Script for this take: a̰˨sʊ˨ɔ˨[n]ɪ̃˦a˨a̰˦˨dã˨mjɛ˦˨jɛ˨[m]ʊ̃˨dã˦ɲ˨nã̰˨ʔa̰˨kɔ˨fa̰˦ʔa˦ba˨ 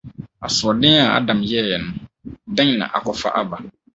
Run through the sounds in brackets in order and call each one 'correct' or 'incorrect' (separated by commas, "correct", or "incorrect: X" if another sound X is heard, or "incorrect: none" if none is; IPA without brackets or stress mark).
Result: incorrect: d, incorrect: n